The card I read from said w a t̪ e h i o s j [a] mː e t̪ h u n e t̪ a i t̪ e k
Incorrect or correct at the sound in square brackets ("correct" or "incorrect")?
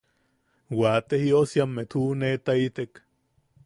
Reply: correct